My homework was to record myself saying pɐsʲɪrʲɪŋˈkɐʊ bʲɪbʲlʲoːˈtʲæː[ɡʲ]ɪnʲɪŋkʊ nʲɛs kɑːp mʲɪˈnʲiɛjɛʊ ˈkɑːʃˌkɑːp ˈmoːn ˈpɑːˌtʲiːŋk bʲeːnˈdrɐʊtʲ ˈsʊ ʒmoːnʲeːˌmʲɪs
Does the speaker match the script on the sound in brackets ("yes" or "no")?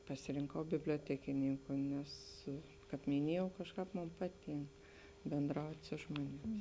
no